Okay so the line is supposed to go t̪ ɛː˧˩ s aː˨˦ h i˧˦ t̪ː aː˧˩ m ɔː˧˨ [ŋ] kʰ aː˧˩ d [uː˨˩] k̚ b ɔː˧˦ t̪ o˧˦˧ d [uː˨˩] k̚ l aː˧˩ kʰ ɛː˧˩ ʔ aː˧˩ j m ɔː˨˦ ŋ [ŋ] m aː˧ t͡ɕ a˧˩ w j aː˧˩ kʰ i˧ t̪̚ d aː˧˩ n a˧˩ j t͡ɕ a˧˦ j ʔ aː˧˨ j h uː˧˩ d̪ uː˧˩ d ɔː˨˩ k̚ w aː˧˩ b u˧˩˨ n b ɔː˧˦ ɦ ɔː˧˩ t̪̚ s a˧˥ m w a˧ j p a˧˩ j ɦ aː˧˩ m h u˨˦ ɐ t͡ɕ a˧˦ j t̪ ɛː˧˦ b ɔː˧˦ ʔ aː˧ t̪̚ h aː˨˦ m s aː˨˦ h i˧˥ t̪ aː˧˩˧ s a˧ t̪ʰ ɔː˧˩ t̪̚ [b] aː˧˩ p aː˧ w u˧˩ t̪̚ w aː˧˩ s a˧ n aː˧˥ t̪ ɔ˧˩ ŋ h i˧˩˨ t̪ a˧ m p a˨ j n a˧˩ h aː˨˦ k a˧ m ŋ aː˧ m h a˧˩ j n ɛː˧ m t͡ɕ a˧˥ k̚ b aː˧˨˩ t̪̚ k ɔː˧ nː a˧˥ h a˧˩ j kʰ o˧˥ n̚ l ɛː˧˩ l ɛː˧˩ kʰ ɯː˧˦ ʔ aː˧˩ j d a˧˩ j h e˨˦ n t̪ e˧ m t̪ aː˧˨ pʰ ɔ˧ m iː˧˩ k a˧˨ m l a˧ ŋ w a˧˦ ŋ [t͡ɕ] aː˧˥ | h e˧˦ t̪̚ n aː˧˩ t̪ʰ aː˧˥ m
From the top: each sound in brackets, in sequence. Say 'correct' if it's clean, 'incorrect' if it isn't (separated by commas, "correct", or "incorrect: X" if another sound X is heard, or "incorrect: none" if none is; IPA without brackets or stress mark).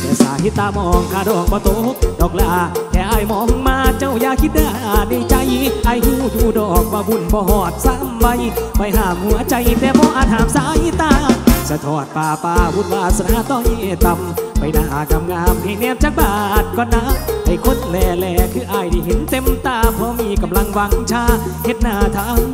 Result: correct, incorrect: ɔː˨˩, incorrect: ɔː˨˩, correct, incorrect: p, incorrect: t͡ɕʰ